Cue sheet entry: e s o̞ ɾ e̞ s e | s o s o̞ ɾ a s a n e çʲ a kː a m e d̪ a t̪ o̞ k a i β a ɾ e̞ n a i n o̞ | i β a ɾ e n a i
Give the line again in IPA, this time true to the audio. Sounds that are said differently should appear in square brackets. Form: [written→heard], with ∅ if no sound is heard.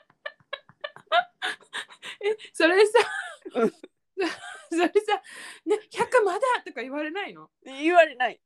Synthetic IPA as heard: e s o̞ ɾ e̞ s [e→a] | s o s o̞ ɾ [a→e] s a n e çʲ a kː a m [e→a] d̪ a t̪ o̞ k a i β a ɾ e̞ n a i n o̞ | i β a ɾ e n a i